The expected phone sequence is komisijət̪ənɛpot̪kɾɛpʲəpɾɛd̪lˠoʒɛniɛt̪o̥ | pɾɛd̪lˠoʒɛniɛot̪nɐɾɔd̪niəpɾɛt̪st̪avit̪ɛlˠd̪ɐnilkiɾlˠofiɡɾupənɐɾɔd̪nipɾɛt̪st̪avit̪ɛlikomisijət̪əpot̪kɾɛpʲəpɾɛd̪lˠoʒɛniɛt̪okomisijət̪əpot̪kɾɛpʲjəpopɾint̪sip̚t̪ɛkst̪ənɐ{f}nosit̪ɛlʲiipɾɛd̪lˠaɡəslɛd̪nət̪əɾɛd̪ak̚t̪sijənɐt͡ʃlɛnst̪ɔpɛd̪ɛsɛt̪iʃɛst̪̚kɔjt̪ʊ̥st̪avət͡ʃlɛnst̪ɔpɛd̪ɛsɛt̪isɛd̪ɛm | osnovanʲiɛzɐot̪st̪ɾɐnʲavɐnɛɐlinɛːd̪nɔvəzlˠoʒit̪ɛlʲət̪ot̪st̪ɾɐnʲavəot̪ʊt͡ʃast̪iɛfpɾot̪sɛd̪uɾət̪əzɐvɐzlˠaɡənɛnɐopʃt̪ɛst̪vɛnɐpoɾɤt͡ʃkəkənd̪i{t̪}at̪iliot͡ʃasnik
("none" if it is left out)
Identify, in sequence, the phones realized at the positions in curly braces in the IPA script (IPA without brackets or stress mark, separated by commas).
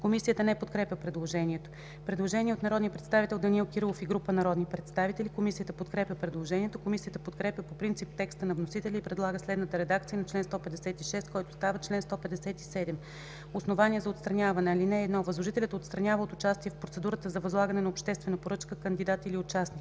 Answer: v, d̪